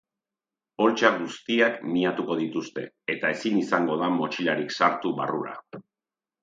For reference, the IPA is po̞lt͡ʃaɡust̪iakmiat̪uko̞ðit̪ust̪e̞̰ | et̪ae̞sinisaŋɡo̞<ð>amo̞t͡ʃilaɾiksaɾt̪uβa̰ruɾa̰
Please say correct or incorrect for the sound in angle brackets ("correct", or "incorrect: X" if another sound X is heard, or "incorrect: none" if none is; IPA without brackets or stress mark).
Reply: correct